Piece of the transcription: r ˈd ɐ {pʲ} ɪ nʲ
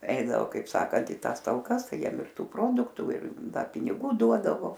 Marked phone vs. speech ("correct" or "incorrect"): correct